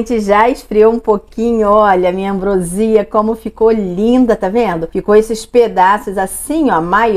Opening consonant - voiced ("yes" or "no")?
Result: no